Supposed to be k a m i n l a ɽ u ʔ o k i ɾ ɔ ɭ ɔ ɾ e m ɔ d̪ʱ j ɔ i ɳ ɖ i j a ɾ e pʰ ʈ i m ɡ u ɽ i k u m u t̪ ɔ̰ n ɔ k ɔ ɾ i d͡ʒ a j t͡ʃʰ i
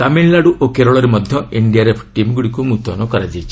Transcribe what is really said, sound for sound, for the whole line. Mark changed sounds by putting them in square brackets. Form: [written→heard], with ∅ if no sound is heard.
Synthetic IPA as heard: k a m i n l a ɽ u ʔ o k [i→e] ɾ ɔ ɭ ɔ ɾ e m ɔ d̪ʱ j ɔ i ɳ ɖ i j a ɾ e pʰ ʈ i m ɡ u ɽ i k u m u t̪ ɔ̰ n ɔ k ɔ ɾ [i→a] d͡ʒ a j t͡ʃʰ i